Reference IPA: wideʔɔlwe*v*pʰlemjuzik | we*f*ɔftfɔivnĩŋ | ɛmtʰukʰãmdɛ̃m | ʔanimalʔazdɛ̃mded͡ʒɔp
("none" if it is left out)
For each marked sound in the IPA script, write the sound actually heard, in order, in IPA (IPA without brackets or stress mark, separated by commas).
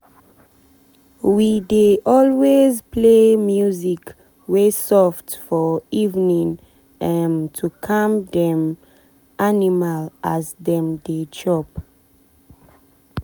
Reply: z, s